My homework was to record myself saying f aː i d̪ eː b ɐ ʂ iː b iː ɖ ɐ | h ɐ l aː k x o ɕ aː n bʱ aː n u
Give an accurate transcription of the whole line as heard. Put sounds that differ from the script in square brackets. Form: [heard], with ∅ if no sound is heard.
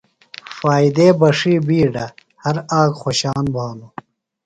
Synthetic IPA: f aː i d̪ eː b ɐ ʂ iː b iː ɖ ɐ | h ɐ [ɾ] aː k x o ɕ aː n bʱ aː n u